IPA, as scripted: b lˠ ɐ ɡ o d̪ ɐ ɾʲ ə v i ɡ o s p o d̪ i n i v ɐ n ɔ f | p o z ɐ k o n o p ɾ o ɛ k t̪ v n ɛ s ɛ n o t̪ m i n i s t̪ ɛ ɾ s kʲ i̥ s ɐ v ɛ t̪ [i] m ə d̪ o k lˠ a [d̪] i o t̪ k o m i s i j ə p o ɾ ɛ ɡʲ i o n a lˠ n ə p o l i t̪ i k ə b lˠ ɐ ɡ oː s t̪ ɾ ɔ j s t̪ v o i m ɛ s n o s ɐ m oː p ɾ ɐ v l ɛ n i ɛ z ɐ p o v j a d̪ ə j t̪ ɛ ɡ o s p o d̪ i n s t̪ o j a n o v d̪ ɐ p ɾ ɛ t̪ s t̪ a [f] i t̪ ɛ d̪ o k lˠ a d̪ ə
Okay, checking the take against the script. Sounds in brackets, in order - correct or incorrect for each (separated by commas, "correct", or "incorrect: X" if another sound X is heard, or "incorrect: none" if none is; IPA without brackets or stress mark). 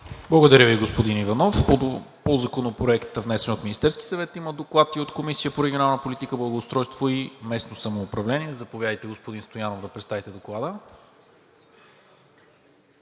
correct, incorrect: t̪, incorrect: v